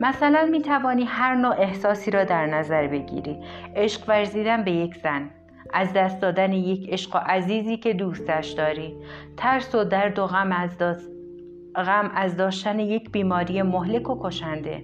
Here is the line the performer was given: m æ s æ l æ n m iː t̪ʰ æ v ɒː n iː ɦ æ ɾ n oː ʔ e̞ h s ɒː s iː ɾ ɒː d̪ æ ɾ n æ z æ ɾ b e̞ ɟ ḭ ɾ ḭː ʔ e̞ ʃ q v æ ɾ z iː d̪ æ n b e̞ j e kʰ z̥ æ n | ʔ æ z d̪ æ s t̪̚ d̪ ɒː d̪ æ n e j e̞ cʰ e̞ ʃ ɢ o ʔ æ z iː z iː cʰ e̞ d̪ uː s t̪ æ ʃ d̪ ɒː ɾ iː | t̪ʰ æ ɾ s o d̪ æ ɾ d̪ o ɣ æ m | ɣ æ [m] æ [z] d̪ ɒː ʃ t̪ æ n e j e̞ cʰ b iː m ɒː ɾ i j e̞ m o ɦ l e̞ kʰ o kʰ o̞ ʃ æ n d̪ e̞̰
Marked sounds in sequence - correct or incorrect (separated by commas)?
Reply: correct, correct